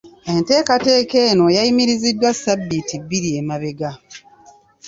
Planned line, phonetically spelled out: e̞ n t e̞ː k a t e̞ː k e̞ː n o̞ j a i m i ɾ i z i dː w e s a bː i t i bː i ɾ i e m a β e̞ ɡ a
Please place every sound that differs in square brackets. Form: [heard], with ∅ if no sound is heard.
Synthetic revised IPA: e̞ n t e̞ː k a t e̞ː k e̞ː n o̞ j a i m i ɾ i z i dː w [a] s a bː i t i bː i ɾ i e m a β e̞ ɡ a